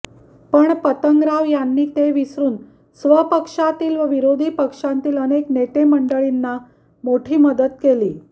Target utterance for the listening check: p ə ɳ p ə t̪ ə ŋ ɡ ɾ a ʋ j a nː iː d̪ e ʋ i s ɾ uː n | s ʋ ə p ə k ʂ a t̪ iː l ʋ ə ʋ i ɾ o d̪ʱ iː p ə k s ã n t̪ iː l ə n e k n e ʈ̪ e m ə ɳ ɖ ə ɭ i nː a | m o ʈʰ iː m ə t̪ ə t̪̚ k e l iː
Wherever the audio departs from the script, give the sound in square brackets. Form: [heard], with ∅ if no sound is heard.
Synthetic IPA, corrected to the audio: p ə ɳ p ə t̪ ə ŋ ɡ ɾ a ʋ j a nː iː [t̪] e ʋ i s ɾ uː n | s ʋ ə p ə k ʂ a t̪ iː l ʋ ə ʋ i ɾ o d̪ʱ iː p ə k [ʂ] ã n t̪ iː l ə n e k n e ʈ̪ e m ə ɳ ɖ ə ɭ i nː a | m o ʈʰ iː m ə [d̪] ə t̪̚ k e l iː